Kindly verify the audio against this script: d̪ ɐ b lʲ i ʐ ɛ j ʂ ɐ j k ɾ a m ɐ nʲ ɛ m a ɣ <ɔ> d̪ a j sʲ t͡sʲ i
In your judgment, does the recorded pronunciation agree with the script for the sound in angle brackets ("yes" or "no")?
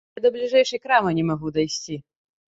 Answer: no